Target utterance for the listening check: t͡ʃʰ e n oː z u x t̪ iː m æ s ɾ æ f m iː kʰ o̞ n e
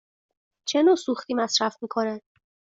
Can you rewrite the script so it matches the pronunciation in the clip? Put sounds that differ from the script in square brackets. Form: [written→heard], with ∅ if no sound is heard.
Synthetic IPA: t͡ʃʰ e n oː [z→s] u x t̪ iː m æ s ɾ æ f m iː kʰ o̞ n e